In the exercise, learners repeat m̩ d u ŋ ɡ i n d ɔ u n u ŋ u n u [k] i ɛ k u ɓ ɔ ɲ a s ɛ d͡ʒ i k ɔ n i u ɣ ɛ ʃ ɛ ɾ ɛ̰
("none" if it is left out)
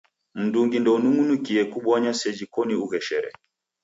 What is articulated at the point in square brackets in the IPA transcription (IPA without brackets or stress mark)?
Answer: k